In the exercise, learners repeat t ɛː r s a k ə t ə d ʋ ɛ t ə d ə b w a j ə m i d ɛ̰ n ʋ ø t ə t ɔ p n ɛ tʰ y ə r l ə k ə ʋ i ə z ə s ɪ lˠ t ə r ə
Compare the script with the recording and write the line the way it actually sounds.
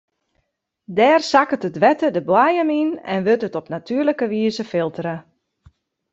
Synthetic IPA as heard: d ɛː r s a k ə t ə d ʋ ɛ t ə d ə b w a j ə m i n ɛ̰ n ʋ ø t ə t ɔ p n a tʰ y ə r l ə k ə ʋ i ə z ə f ɪ lˠ t ə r ə

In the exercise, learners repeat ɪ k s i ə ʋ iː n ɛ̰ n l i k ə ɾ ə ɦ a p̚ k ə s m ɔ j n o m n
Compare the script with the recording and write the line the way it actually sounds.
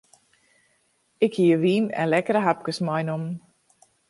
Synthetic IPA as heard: ɪ k h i ə ʋ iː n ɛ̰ n l ɛ k ə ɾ ə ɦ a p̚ k ə s m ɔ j n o m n

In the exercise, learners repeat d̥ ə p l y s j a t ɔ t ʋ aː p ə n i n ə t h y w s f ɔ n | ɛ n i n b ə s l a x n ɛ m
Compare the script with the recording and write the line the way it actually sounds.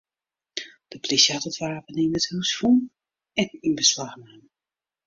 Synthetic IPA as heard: d̥ ə p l i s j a t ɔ t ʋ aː p ə n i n ə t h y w s f u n | ɛ n i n b ə s l a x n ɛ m

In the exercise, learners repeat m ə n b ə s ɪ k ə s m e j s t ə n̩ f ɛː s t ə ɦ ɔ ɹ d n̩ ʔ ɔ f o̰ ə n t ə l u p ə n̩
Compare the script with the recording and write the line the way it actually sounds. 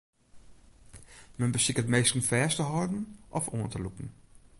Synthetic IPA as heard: m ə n b ə s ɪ k ə t m e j s t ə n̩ f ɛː s t ə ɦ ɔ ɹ d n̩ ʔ ɔ f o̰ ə n t ə l u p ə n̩

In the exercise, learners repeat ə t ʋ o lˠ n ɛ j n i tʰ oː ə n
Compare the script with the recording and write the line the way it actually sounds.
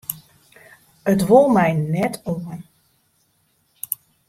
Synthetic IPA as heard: ə t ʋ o lˠ m ɛ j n ɛ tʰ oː ə n

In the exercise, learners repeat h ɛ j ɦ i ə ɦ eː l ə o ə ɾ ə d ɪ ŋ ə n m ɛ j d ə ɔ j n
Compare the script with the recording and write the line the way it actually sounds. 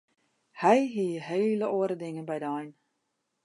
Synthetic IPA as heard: h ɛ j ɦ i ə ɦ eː l ə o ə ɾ ə d ɪ ŋ ə n b ɛ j d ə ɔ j n

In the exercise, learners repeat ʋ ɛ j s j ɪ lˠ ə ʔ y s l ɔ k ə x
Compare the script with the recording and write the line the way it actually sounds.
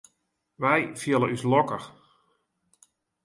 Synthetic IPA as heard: ʋ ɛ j f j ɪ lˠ ə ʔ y s l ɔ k ə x

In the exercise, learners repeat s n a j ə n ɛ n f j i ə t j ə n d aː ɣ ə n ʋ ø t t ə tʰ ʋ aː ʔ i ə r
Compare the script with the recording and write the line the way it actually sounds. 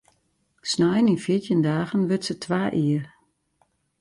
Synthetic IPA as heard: s n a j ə n i n f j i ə t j ə n d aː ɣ ə n ʋ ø t s ə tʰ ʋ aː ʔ i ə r

